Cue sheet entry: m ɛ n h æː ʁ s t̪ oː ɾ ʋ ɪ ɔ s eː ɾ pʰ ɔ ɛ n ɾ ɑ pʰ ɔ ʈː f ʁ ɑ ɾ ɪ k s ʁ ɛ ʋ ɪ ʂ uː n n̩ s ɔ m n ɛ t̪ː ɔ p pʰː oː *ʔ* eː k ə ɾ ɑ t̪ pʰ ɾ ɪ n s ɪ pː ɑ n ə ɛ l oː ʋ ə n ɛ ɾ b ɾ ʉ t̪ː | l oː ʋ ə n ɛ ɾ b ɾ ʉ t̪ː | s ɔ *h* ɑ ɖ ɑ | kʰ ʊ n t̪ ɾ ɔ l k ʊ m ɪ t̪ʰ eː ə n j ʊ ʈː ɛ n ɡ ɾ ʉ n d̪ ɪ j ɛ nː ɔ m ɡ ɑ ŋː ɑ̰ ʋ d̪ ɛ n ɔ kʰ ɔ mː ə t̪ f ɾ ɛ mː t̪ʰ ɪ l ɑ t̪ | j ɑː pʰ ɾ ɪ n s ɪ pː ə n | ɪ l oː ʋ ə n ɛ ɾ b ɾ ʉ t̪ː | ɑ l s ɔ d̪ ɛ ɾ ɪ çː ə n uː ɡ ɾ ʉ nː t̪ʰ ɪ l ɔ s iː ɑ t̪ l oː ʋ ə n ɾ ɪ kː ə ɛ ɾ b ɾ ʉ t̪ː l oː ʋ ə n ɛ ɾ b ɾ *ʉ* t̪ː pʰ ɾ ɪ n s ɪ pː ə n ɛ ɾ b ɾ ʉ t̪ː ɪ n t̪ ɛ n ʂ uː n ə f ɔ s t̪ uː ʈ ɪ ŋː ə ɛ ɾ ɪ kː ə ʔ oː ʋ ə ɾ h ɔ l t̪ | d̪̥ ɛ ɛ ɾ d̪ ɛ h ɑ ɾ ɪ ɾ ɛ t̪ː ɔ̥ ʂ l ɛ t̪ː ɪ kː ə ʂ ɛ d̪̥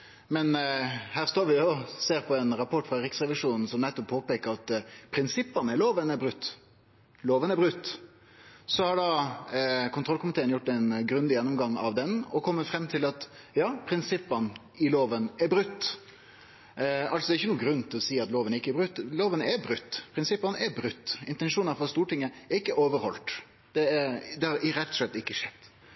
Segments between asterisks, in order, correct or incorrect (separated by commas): incorrect, correct, correct